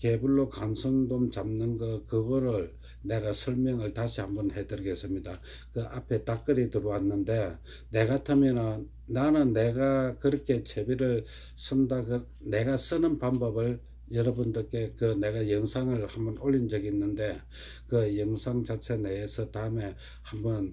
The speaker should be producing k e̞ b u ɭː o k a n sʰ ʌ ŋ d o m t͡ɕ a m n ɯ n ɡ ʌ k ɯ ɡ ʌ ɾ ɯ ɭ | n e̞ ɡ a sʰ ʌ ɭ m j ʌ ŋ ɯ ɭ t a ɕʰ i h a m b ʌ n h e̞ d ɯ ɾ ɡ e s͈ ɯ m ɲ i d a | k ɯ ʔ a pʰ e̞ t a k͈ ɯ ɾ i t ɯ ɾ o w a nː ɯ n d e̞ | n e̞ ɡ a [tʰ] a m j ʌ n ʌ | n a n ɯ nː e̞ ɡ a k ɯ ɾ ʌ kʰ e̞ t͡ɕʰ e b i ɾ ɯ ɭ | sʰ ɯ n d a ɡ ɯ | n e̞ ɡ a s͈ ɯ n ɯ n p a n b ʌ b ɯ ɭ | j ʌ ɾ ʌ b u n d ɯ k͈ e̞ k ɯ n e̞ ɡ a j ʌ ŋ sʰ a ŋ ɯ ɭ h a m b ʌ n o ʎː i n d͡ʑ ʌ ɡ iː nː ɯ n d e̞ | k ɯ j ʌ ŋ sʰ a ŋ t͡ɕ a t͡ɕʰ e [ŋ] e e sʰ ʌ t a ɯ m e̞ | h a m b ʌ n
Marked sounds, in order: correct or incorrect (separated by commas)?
correct, incorrect